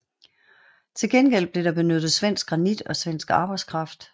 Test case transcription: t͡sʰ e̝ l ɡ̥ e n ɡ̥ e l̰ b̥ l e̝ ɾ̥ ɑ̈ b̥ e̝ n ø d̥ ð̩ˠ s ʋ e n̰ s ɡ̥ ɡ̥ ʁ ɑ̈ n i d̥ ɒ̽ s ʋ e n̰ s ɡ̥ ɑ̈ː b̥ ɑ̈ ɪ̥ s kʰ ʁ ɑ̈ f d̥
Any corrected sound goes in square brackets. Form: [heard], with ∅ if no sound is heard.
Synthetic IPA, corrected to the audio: t͡sʰ e̝ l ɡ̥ e n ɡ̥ e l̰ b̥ l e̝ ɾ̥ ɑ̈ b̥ e̝ n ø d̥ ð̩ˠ s ʋ e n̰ s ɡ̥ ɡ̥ ʁ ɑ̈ n i d̥ ɒ̽ s ʋ e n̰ s ɡ̥ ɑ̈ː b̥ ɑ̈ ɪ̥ s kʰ ʁ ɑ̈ f d̥